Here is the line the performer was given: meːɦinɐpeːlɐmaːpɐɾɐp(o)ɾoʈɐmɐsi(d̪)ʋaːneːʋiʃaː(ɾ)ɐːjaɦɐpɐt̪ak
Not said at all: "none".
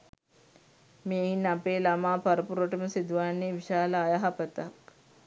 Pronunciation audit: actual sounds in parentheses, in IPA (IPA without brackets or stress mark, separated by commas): u, d̪, l